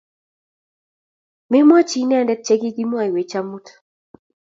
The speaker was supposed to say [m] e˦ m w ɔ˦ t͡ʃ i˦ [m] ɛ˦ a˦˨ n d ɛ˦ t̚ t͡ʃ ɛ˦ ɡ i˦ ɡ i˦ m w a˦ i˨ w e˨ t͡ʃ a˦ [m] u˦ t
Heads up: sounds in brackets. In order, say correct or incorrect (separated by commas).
correct, incorrect, correct